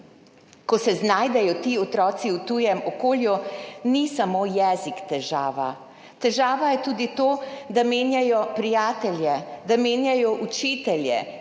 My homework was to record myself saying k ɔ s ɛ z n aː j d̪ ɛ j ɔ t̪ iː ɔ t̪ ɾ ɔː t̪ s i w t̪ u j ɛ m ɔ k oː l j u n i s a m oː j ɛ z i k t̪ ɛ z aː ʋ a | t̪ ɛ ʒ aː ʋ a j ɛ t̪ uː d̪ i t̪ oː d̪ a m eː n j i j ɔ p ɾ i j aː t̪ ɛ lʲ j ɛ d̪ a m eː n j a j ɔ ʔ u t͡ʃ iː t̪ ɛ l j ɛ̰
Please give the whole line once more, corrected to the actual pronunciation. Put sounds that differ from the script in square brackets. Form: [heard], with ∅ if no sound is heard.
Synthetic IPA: k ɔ s ɛ z n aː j d̪ ɛ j ɔ t̪ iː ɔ t̪ ɾ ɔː t̪ s i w t̪ u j ɛ m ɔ k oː l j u n i s a m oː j ɛ z i k t̪ ɛ [ʒ] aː ʋ a | t̪ ɛ ʒ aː ʋ a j ɛ t̪ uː d̪ i t̪ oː d̪ a m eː n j [a] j ɔ p ɾ i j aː t̪ ɛ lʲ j ɛ d̪ a m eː n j a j ɔ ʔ u t͡ʃ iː t̪ ɛ l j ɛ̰

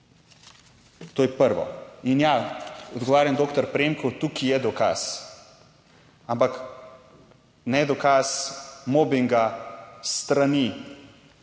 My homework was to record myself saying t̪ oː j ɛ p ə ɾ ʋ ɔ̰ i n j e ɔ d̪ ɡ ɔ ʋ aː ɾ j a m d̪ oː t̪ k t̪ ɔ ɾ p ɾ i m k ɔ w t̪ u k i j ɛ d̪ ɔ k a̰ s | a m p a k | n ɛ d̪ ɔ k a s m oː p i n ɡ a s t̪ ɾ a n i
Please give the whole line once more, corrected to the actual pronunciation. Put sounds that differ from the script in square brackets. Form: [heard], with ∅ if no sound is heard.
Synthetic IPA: t̪ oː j ɛ p ə ɾ ʋ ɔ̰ i n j [a] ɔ d̪ ɡ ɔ ʋ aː ɾ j a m d̪ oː [∅] k t̪ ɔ ɾ p ɾ [e] m k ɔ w t̪ u k i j ɛ d̪ ɔ k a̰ s | a m p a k | n ɛ d̪ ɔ k a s m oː [b] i [ŋ] ɡ a s t̪ ɾ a n i

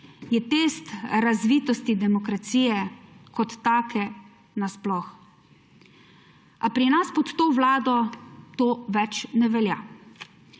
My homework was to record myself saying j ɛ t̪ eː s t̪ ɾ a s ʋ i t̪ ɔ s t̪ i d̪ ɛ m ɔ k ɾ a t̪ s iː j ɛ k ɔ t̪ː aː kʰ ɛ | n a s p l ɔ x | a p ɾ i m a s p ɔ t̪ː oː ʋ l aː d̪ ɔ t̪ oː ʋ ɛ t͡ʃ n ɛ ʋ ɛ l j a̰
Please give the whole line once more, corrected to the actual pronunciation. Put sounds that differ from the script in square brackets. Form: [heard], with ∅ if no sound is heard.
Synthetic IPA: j ɛ t̪ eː s t̪ ɾ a [z] ʋ i t̪ ɔ s t̪ i d̪ ɛ m ɔ k ɾ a t̪ s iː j ɛ k ɔ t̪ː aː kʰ ɛ | n a s p l ɔ x | a p ɾ i [n] a s p ɔ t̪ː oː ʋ l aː d̪ ɔ t̪ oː ʋ ɛ t͡ʃ n ɛ ʋ ɛ l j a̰

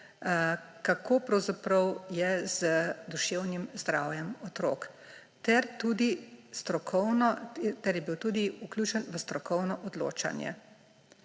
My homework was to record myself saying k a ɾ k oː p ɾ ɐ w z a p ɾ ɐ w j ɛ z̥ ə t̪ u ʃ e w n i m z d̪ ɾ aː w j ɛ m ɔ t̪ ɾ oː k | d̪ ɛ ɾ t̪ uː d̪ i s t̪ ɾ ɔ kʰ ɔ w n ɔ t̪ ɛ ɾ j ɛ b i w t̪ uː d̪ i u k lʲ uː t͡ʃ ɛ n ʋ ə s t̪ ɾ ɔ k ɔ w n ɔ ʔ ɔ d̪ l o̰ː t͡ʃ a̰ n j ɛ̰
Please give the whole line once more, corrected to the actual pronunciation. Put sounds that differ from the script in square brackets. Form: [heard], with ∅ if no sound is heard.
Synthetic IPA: k a [∅] k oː p ɾ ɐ w z a p ɾ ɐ w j ɛ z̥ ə [d̪] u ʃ e w n i m z d̪ ɾ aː w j ɛ m ɔ t̪ ɾ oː k | [t̪] ɛ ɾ t̪ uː d̪ i s t̪ ɾ ɔ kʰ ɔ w n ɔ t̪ ɛ ɾ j ɛ b i w t̪ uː d̪ i u k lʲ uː t͡ʃ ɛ n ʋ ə s t̪ ɾ ɔ k ɔ w n ɔ ʔ ɔ d̪ l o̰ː t͡ʃ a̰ n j ɛ̰

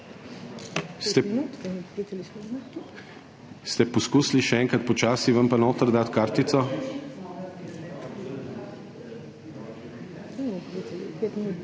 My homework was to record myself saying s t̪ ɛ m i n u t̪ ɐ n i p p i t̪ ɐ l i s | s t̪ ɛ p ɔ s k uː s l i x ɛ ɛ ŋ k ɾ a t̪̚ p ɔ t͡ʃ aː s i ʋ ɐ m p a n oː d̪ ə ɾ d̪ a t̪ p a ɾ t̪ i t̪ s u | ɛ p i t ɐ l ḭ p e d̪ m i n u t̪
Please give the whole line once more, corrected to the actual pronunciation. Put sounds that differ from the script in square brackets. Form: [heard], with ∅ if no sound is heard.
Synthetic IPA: s t̪ ɛ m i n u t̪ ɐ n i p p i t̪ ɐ l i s | s t̪ ɛ p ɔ s k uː s l i [ʃ] ɛ ɛ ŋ k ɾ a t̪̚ p ɔ t͡ʃ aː s i ʋ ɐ m p a n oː [t̪] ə ɾ d̪ a t̪ [k] a ɾ t̪ i t̪ s [ɔ] | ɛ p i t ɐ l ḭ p e [t̪] m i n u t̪

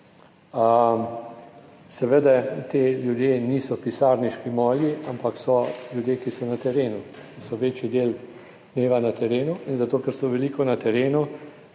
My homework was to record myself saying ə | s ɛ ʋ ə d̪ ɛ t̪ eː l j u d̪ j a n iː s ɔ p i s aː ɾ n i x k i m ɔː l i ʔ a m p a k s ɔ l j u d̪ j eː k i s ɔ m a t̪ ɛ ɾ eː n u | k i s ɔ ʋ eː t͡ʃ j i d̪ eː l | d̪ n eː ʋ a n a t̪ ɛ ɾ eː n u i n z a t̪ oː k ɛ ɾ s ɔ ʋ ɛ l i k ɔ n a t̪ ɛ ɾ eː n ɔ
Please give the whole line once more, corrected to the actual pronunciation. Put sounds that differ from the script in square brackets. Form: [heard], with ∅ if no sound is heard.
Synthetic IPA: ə | s ɛ ʋ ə d̪ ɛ t̪ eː l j u d̪ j [e] n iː s ɔ p i s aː ɾ n i [ʃ] k i m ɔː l i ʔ a m p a k s ɔ l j u d̪ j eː k i s ɔ [n] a t̪ ɛ ɾ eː n u | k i s ɔ ʋ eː t͡ʃ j i d̪ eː l | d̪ n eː ʋ a n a t̪ ɛ ɾ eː n u i n z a t̪ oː k ɛ ɾ s ɔ ʋ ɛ l i k ɔ n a t̪ ɛ ɾ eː n [u]

